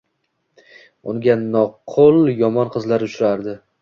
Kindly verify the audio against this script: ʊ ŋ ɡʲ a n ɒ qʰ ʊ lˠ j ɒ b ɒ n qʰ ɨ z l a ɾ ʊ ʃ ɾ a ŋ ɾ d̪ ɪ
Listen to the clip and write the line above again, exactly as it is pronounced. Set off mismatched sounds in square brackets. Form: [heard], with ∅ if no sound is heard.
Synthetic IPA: ʊ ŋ ɡʲ a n ɒ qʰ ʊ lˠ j ɒ [m] ɒ n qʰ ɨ z l a ɾ ʊ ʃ ɾ a [∅] ɾ d̪ ɪ